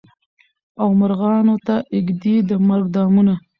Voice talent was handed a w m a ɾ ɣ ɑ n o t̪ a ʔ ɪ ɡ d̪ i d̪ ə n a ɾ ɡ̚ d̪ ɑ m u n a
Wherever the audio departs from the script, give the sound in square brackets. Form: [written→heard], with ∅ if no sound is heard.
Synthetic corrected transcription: a w m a ɾ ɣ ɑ n o t̪ a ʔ ɪ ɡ d̪ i d̪ ə [n→m] a ɾ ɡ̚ d̪ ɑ m u n a